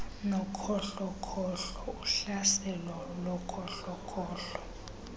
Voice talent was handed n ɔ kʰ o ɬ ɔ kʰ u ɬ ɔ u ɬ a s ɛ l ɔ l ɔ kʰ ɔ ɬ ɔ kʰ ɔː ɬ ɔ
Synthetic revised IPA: n ɔ kʰ ɔ ɬ ɔ kʰ ɔ ɬ ɔ u ɬ a s ɛ l ɔ l ɔ kʰ ɔ ɬ ɔ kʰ ɔː ɬ ɔ